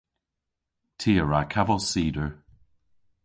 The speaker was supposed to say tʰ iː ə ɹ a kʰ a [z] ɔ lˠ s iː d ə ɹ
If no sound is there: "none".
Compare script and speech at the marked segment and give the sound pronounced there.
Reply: v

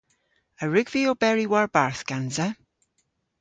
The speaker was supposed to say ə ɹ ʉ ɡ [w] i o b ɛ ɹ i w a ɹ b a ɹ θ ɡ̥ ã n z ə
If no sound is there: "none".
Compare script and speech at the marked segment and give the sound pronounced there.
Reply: v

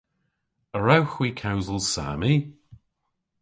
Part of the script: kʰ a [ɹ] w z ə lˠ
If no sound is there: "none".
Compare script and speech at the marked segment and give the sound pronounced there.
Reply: none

